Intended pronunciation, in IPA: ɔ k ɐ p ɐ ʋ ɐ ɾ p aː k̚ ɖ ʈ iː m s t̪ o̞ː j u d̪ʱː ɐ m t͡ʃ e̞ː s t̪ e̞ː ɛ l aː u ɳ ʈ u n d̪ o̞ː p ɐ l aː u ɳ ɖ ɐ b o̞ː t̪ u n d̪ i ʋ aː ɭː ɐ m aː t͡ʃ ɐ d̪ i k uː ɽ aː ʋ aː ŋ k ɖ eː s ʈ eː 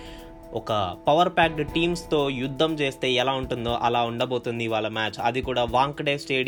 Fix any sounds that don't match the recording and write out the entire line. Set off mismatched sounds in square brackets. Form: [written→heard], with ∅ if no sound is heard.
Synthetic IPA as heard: ɔ k ɐ p ɐ ʋ ɐ ɾ p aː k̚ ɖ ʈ iː m s t̪ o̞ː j u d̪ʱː ɐ m t͡ʃ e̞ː s t̪ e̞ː ɛ l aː u ɳ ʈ u n d̪ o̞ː [p→ʔ] ɐ l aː u ɳ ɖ ɐ b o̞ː t̪ u n d̪ i ʋ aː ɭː ɐ m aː t͡ʃ ɐ d̪ i k uː ɽ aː ʋ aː ŋ k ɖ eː s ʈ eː